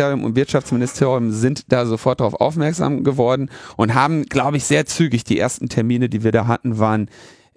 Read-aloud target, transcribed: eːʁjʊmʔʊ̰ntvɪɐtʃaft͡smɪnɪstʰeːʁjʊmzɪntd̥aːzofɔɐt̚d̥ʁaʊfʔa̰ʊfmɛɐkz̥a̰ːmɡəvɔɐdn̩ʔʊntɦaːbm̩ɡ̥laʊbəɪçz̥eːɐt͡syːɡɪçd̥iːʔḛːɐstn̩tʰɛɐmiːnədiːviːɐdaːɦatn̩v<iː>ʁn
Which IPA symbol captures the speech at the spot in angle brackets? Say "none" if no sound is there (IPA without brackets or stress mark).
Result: aː